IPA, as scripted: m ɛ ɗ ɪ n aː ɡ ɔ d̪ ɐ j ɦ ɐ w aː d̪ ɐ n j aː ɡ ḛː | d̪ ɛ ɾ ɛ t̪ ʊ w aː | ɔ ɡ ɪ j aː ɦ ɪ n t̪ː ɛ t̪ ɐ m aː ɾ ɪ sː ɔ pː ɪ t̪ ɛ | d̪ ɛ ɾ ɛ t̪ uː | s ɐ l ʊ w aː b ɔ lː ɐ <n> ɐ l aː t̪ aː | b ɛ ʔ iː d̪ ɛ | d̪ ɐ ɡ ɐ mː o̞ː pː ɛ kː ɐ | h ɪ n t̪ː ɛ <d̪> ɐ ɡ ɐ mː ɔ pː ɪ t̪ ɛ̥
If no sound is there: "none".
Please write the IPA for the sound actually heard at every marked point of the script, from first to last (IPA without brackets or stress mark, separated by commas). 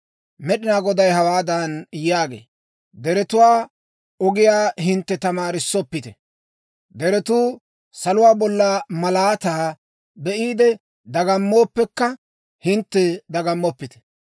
m, d̪